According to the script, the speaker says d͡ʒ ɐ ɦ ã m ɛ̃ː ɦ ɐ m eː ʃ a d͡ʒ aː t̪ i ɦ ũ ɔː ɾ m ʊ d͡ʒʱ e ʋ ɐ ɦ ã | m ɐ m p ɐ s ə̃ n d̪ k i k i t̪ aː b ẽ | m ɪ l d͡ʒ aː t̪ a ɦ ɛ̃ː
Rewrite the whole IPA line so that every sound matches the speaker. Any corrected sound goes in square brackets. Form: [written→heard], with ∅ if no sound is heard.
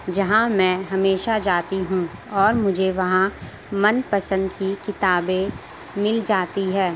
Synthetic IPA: d͡ʒ ɐ ɦ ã m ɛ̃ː ɦ ɐ m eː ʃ a d͡ʒ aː t̪ i ɦ ũ ɔː ɾ m ʊ d͡ʒʱ e ʋ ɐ ɦ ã | m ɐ [m→n] p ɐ s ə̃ n d̪ k i k [i→ɪ] t̪ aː b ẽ | m ɪ l d͡ʒ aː t̪ [a→i] ɦ [ɛ̃ː→ɛː]